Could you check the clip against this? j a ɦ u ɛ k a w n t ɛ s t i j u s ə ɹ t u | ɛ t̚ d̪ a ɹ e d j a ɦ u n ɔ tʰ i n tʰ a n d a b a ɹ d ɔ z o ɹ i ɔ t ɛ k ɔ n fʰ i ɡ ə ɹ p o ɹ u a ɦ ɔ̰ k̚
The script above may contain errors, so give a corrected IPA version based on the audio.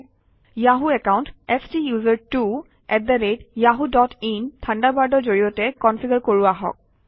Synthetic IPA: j a ɦ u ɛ k a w n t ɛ s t i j u z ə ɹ t u | ɛ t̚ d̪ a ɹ e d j a ɦ u d ɔ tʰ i n tʰ a n d a b a ɹ d ɔ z o ɹ i ɔ t ɛ k ɔ n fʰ i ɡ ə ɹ k o ɹ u a ɦ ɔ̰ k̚